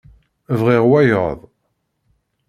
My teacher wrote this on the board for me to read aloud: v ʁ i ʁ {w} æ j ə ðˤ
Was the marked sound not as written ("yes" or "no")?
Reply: no